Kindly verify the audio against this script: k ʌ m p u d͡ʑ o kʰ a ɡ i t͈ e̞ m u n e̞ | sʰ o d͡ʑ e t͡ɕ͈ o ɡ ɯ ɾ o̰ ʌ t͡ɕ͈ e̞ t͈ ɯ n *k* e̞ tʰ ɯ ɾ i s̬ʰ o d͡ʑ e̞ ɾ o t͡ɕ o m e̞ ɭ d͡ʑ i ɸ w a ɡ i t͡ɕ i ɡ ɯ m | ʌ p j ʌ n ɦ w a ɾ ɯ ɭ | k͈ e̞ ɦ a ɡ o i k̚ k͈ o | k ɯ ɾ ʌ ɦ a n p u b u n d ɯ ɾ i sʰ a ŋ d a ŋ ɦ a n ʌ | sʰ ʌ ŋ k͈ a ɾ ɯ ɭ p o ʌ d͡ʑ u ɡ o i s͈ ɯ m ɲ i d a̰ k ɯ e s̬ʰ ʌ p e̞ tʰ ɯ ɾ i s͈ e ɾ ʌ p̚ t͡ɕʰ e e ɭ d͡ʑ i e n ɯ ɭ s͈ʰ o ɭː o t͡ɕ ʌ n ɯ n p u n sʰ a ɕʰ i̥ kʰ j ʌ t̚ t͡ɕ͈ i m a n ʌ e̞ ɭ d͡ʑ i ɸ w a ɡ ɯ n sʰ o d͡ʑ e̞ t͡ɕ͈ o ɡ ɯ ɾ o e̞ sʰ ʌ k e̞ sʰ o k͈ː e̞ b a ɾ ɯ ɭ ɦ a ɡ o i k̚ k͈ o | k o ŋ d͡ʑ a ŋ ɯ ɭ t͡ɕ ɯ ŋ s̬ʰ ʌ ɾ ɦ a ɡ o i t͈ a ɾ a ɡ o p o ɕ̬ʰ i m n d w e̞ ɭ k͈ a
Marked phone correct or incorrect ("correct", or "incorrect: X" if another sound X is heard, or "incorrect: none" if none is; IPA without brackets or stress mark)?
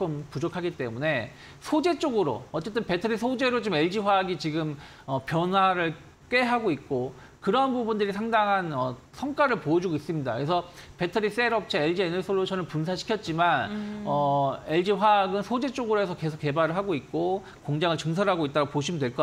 incorrect: p